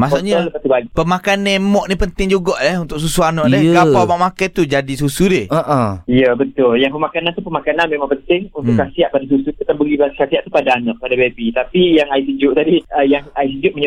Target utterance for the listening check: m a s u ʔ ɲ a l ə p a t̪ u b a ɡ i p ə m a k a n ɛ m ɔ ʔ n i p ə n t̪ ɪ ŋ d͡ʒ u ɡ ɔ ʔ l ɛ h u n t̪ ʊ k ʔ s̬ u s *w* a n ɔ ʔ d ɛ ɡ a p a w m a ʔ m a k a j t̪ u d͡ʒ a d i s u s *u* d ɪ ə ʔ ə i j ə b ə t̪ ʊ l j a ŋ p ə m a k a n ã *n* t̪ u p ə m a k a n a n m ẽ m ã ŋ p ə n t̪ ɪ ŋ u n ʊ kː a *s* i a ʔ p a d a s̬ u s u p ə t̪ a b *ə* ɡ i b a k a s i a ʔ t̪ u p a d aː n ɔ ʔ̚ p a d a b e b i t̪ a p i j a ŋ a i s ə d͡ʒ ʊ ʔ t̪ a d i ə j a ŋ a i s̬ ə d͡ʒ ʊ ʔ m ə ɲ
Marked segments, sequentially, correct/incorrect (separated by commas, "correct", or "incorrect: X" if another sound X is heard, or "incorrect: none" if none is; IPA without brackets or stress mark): incorrect: u, correct, correct, correct, correct